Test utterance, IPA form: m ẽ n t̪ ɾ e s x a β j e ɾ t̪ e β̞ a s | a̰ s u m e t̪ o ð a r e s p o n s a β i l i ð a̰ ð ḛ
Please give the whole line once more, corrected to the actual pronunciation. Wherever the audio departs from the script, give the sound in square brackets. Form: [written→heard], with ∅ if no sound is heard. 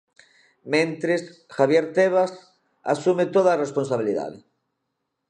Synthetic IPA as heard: m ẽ n t̪ ɾ e s x a β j e ɾ t̪ e β̞ a s | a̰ s u m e t̪ o ð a r e s p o n s a β i l i ð a̰ ð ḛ